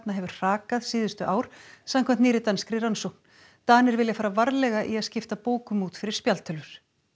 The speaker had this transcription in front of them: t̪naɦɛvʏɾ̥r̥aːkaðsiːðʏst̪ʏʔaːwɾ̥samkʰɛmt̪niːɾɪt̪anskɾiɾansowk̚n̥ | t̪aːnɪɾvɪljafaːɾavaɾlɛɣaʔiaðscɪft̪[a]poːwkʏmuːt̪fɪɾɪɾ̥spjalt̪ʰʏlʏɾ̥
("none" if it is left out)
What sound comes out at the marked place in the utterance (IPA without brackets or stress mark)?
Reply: a